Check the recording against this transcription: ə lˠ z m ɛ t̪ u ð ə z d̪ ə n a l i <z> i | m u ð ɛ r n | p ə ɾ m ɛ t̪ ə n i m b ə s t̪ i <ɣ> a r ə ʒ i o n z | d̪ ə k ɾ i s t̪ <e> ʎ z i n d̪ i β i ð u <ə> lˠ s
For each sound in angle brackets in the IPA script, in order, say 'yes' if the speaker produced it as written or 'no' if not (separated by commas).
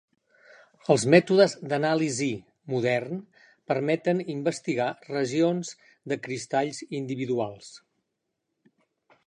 yes, yes, no, no